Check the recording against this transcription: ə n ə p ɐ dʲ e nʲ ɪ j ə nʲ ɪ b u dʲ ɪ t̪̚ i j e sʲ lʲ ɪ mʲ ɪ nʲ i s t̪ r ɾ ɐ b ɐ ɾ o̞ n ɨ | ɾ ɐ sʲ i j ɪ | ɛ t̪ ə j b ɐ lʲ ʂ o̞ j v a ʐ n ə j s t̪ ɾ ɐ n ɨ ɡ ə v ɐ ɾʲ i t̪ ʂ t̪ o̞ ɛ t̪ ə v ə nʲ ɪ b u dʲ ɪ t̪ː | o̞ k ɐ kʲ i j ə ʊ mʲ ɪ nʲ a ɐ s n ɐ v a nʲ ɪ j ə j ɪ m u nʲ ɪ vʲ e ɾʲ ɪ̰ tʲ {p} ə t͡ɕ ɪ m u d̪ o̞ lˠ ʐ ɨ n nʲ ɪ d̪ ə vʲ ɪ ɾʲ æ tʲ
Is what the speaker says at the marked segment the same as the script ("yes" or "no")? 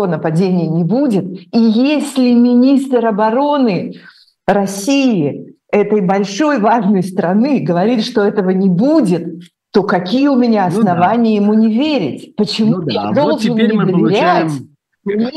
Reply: yes